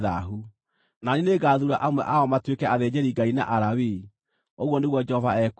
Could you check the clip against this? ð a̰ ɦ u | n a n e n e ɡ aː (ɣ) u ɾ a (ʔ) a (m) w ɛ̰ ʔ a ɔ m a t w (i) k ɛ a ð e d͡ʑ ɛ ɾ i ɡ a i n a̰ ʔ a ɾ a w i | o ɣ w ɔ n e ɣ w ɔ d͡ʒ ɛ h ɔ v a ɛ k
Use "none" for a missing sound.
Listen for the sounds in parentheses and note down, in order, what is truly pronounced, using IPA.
ð, ʔ, m, e

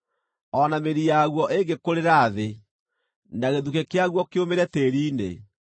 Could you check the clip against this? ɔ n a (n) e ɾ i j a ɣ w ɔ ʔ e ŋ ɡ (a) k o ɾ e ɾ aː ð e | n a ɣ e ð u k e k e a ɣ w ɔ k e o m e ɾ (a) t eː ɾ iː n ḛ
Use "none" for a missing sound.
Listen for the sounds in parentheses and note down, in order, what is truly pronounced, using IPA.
m, e, ɛ

